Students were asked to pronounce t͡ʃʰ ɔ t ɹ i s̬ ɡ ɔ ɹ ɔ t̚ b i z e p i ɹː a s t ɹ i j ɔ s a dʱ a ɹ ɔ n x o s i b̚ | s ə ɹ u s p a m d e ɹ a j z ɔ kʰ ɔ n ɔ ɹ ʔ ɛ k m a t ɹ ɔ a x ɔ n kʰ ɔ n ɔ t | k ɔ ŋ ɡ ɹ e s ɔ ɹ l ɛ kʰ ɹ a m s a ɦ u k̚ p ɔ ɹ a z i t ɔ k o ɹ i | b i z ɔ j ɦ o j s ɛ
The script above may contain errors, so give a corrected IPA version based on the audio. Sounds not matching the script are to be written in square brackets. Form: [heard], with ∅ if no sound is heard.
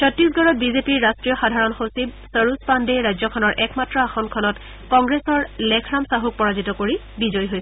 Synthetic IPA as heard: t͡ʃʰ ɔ t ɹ i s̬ ɡ ɔ ɹ ɔ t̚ b i z e p i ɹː a s t ɹ i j ɔ [x] a dʱ a ɹ ɔ n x o s i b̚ | s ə ɹ u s p a [n] d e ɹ a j z ɔ kʰ ɔ n ɔ ɹ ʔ ɛ k m a t ɹ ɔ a x ɔ n kʰ ɔ n ɔ t | k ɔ ŋ ɡ ɹ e s ɔ ɹ l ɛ kʰ ɹ a m s a ɦ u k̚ p ɔ ɹ a z i t ɔ k o ɹ i | b i z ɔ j ɦ o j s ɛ